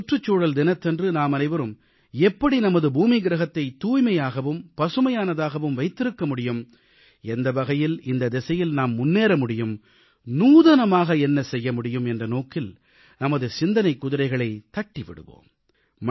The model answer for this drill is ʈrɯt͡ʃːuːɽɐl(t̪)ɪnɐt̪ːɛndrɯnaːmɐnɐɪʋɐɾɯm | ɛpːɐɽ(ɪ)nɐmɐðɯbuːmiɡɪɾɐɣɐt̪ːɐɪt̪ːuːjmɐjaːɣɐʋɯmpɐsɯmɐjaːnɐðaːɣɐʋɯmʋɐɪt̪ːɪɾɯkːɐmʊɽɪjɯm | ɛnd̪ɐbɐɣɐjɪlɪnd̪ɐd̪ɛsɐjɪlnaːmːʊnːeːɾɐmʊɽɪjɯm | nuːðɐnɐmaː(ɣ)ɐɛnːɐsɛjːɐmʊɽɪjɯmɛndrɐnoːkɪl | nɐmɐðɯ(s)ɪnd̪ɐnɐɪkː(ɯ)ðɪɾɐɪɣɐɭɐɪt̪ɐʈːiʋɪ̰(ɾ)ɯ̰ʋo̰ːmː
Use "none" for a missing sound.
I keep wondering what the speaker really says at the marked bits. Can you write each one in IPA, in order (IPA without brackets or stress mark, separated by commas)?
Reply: d̪, i, ɣ, s, ʊ, ɽ